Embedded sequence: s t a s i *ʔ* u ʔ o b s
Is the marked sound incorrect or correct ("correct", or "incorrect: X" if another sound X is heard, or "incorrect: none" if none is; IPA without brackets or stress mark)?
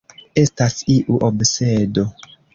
correct